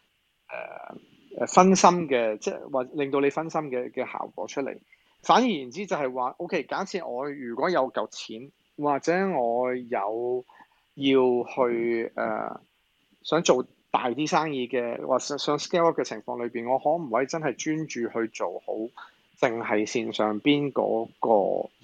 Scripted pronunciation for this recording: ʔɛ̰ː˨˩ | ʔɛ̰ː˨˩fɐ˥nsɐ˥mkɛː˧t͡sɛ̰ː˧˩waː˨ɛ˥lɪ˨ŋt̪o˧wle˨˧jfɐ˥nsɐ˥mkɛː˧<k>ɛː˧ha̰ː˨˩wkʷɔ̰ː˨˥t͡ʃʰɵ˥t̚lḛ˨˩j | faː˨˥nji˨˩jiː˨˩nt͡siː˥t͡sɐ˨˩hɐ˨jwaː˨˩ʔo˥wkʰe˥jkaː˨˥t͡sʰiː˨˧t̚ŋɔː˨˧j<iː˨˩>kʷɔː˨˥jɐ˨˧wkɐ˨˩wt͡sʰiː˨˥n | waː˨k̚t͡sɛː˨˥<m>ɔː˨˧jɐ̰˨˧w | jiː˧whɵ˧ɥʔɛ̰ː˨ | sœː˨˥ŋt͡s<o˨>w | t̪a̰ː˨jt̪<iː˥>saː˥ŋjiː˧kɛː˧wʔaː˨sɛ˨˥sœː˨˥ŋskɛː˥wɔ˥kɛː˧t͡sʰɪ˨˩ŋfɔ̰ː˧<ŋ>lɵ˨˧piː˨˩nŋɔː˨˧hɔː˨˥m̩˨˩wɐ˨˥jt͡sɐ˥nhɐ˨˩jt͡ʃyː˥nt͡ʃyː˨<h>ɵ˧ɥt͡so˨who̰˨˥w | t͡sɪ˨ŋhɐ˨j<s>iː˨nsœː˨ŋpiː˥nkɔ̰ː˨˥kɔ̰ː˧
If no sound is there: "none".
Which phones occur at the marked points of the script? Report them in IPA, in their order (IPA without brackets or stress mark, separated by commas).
k, yː˨˩, ŋ, o˨, iː˥, ŋ, h, s